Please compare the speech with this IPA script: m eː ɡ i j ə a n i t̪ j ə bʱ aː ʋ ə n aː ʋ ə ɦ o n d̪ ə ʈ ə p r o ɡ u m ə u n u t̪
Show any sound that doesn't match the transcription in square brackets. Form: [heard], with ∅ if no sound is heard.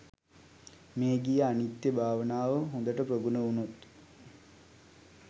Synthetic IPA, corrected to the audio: m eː ɡ i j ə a n i t̪ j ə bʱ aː ʋ ə n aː ʋ ə ɦ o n d̪ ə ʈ ə p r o ɡ u [n] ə u n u t̪